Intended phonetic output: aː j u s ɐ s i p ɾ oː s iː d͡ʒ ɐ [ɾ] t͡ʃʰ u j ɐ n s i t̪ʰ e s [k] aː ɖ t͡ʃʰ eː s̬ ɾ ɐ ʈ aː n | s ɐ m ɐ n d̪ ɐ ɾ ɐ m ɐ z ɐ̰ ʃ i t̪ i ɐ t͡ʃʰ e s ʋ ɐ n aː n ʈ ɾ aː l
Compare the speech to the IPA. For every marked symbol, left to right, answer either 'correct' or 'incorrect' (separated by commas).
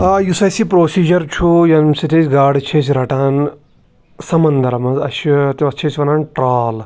correct, incorrect